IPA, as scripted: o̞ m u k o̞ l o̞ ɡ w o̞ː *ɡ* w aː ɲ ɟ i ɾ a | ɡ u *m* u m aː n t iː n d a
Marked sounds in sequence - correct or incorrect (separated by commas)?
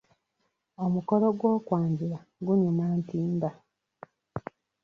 incorrect, incorrect